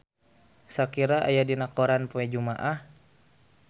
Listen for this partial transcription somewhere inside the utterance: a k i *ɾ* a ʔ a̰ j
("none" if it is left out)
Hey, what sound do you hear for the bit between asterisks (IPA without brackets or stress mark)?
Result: ɾ